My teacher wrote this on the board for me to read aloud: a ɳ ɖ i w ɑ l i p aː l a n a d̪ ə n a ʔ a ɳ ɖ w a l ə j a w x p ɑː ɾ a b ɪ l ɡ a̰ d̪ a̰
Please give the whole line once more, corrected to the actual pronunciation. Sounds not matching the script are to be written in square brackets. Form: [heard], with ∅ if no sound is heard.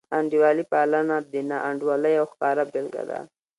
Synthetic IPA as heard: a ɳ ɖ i w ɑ l i p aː l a n a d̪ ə n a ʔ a ɳ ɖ w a l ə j a w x [k] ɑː ɾ a b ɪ l ɡ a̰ d̪ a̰